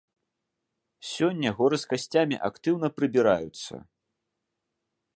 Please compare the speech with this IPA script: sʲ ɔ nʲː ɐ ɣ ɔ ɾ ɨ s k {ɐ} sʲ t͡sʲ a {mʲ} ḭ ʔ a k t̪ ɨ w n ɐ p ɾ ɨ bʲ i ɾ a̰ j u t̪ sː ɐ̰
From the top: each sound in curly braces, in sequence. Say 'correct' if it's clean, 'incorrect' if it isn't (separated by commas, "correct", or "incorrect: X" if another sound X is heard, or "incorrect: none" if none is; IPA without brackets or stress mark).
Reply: incorrect: a, correct